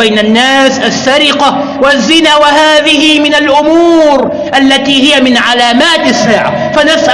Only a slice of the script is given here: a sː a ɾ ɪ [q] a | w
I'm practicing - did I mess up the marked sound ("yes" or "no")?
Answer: no